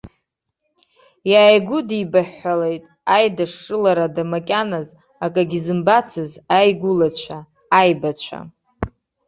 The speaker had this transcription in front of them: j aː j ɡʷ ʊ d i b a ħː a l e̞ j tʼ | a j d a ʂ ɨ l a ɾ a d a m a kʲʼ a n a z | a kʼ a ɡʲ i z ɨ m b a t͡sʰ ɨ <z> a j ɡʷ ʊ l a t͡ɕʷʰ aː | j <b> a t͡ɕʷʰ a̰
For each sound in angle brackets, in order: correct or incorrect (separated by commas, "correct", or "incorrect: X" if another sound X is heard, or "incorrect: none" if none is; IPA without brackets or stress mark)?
correct, correct